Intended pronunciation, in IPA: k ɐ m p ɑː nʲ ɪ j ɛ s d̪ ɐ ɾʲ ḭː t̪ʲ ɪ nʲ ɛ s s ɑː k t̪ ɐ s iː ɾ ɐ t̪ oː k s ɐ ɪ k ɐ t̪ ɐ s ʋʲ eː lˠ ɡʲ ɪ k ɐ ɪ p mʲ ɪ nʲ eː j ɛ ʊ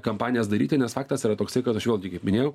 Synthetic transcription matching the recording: k ɐ m p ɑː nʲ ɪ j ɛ s d̪ ɐ ɾʲ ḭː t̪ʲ ɪ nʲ ɛ s f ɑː k t̪ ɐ s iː ɾ ɐ t̪ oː k s ɐ ɪ k ɐ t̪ ɐ ʃ ʋʲ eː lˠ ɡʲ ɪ k ɐ ɪ p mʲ ɪ nʲ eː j ɛ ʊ